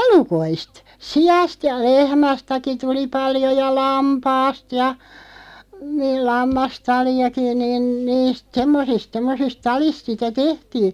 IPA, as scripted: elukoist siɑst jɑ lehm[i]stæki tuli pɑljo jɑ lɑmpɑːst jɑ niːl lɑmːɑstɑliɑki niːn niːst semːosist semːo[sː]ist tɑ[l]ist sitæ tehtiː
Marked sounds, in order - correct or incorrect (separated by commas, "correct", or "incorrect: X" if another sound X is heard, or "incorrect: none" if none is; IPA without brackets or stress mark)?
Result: incorrect: æ, incorrect: s, correct